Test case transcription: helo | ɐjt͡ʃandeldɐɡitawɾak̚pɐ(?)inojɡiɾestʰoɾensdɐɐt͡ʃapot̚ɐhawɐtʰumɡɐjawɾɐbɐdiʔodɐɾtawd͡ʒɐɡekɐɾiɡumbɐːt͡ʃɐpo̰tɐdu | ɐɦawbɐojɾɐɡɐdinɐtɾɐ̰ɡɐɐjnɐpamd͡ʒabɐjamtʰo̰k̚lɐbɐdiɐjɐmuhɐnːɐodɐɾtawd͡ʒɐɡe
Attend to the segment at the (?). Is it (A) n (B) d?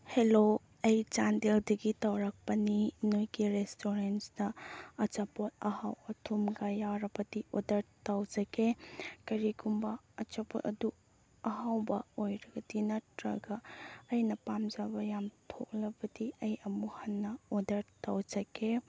A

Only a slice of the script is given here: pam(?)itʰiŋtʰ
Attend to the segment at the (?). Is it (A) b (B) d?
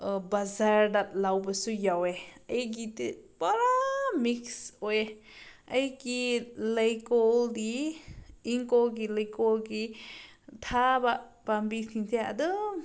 A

